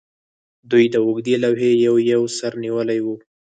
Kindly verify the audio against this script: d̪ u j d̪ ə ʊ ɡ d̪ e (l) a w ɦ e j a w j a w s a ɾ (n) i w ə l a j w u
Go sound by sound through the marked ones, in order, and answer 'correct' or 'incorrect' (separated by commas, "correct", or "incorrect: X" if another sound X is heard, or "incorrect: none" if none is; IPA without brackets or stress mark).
correct, correct